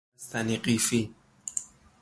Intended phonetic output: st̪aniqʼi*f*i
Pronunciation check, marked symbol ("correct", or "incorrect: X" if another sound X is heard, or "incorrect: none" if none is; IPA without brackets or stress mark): correct